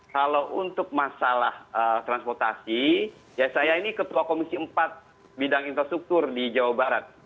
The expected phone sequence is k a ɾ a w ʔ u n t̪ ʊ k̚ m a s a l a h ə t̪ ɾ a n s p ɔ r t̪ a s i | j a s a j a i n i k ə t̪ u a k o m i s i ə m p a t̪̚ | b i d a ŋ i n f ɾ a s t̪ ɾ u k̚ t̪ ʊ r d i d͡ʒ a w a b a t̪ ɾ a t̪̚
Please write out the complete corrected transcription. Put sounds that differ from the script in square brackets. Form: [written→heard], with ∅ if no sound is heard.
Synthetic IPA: k a [ɾ→l] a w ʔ u n t̪ ʊ k̚ m a s a l a h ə t̪ ɾ a n s p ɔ r t̪ a s i | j a s a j a i n i k ə t̪ u a k o m i s i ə m p a t̪̚ | b i d a ŋ i n f ɾ a s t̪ ɾ u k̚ t̪ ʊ r d i d͡ʒ a w a b a [t̪→∅] ɾ a t̪̚